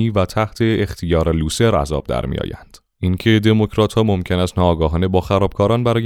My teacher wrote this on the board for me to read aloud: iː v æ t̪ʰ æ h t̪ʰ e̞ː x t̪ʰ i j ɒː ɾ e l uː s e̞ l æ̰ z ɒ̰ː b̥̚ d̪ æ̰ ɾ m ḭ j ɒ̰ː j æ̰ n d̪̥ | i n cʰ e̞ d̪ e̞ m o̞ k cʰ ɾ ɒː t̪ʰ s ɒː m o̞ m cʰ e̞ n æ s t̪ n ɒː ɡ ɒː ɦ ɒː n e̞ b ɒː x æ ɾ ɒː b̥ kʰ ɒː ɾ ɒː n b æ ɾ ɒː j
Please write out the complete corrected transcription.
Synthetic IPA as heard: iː v æ t̪ʰ æ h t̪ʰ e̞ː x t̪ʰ i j ɒː ɾ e l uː s e̞ ɾ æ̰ z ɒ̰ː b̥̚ d̪ æ̰ ɾ m ḭ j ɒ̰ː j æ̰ n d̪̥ | i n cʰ e̞ d̪ e̞ m o̞ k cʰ ɾ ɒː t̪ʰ h ɒː m o̞ m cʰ e̞ n æ s t̪ n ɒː ɡ ɒː ɦ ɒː n e̞ b ɒː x æ ɾ ɒː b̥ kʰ ɒː ɾ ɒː n b æ ɾ ɒː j